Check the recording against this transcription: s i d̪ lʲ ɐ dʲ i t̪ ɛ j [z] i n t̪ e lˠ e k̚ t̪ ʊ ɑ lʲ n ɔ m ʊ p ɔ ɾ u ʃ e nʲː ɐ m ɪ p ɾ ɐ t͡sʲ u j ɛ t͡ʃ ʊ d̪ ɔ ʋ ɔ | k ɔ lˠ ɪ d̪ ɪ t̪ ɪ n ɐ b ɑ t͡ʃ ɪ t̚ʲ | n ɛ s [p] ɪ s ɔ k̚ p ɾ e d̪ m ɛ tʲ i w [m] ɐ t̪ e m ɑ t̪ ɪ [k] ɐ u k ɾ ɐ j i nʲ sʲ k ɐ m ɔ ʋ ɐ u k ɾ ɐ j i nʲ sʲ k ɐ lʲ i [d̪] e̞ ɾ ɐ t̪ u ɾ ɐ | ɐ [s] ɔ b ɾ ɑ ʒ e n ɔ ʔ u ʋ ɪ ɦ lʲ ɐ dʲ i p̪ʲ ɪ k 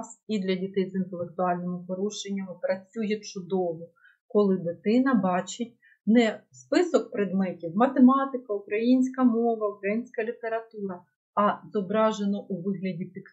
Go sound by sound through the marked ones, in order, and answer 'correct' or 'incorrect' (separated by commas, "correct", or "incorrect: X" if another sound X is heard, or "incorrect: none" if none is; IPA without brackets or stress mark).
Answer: correct, correct, correct, correct, incorrect: t̪, incorrect: z